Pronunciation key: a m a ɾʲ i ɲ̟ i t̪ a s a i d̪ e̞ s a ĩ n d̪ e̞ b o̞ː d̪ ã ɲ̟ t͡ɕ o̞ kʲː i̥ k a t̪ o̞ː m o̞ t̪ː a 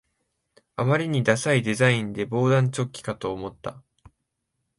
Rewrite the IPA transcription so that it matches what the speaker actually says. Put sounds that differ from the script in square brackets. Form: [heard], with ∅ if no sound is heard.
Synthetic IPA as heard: a m a ɾʲ i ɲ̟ i [d̪] a s a i d̪ e̞ [z] a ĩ n d̪ e̞ b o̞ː d̪ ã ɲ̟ t͡ɕ o̞ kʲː i̥ k a t̪ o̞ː m o̞ t̪ː a